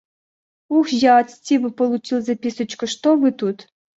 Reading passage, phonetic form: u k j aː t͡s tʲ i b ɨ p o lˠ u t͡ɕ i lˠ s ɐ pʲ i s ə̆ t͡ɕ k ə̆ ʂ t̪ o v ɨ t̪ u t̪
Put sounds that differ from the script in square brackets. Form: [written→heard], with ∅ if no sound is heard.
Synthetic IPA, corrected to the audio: u [k→x] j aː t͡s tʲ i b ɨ p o lˠ u t͡ɕ i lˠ [s→z] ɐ pʲ i s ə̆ t͡ɕ k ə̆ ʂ t̪ o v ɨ t̪ u t̪